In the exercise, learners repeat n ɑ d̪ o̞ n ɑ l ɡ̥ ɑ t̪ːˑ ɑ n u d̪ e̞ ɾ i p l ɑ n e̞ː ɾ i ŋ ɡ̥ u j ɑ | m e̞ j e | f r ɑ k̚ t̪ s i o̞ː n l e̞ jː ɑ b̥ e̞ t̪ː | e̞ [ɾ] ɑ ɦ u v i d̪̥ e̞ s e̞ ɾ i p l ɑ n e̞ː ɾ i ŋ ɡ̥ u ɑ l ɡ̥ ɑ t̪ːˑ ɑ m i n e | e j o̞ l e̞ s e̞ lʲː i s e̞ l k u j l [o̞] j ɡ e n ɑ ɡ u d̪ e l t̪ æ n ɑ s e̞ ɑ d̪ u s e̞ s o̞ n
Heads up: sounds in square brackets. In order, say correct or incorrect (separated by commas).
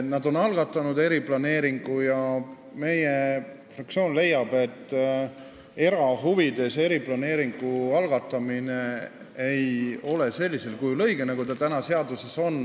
correct, incorrect